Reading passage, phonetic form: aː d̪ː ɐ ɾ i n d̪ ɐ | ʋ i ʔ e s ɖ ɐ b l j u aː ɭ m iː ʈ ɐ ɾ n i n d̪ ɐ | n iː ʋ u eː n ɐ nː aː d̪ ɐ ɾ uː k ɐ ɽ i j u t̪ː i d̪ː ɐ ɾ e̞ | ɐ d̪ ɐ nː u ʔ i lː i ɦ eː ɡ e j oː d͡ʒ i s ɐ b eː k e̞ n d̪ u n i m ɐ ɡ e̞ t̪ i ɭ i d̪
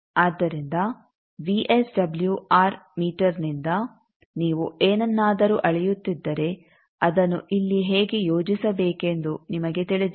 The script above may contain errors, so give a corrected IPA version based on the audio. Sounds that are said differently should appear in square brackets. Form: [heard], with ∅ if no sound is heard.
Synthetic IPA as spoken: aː d̪ː ɐ ɾ i n d̪ ɐ | ʋ i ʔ e s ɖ ɐ b l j u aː [ɾ] m iː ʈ ɐ ɾ n i n d̪ ɐ | n iː ʋ u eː n ɐ nː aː d̪ ɐ ɾ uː [ʔ] ɐ [ɭ] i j u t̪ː i d̪ː ɐ ɾ e̞ | ɐ d̪ ɐ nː u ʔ i lː i ɦ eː ɡ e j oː d͡ʒ i s ɐ b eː k e̞ n d̪ u n i m ɐ ɡ e̞ t̪ i ɭ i d̪

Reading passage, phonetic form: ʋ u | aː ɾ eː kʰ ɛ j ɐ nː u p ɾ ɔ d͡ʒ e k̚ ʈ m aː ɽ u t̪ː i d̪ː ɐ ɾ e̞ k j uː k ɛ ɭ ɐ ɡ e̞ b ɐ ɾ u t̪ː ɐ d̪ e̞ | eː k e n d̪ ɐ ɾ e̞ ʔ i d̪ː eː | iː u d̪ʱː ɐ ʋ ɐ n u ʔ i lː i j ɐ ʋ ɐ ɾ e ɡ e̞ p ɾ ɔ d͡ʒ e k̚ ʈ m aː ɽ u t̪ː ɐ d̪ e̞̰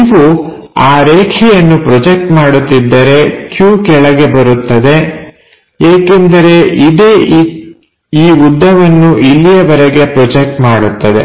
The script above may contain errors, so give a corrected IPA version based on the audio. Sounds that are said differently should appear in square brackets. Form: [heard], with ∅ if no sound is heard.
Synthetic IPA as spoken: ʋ u | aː ɾ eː kʰ ɛ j ɐ nː u p ɾ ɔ d͡ʒ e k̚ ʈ m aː ɽ u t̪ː i d̪ː ɐ ɾ e̞ k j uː k ɛ ɭ ɐ ɡ e̞ b ɐ ɾ u t̪ː ɐ d̪ e̞ | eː k e n d̪ ɐ ɾ e̞ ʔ i [d̪] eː | iː u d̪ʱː ɐ ʋ ɐ [nː] u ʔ i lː i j ɐ ʋ ɐ ɾ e ɡ e̞ p ɾ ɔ d͡ʒ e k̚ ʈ m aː ɽ u t̪ː ɐ d̪ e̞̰

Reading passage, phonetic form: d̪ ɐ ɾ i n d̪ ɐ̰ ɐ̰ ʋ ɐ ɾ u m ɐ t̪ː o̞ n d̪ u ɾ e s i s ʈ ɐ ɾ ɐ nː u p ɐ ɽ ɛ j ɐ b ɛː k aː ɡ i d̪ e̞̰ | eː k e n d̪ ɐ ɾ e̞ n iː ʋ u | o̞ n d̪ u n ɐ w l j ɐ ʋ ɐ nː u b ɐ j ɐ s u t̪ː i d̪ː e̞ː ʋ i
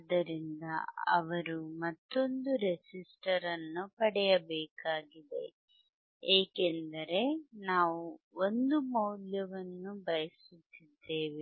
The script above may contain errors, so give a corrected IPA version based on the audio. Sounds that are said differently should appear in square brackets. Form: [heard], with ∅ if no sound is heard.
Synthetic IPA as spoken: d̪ ɐ ɾ i n d̪ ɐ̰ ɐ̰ ʋ ɐ ɾ u m ɐ t̪ː o̞ n d̪ u ɾ e s i s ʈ ɐ ɾ ɐ nː u p ɐ ɽ ɛ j ɐ b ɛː k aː ɡ i d̪ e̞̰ | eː k e n d̪ ɐ ɾ e̞ n [aː] ʋ u | o̞ n d̪ u [m] ɐ w l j ɐ ʋ ɐ nː u b ɐ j ɐ s u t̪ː i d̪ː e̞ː ʋ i

